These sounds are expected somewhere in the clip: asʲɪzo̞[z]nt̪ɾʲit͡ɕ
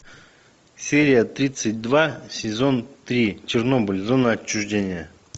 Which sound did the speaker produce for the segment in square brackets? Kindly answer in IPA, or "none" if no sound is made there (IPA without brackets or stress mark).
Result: none